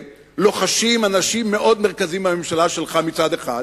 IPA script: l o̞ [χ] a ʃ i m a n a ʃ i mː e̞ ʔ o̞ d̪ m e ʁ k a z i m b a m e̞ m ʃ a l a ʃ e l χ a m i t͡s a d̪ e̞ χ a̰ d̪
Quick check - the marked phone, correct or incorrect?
correct